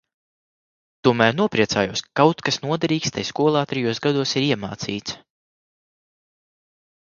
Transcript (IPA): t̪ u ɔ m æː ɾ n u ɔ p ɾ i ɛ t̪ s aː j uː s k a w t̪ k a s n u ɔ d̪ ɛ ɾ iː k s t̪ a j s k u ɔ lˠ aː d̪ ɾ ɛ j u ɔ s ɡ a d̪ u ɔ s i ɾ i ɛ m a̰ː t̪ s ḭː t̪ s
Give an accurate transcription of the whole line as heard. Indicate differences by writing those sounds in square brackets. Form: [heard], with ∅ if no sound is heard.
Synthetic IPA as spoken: t̪ u ɔ m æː ɾ n u ɔ p ɾ i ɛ t̪ s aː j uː s k a w t̪ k a s n u ɔ d̪ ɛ ɾ iː k s t̪ a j s k u ɔ lˠ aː [t̪] ɾ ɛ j u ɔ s ɡ a d̪ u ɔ s i ɾ i ɛ m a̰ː t̪ s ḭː t̪ s